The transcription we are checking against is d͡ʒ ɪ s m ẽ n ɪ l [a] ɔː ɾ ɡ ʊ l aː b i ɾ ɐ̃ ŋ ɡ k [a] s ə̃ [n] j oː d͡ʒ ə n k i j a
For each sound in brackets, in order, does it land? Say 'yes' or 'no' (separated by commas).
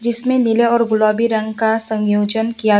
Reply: no, yes, no